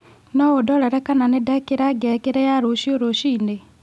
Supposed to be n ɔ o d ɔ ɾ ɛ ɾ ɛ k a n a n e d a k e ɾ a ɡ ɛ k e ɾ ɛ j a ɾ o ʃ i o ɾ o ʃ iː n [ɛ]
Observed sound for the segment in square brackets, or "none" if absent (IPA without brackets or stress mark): e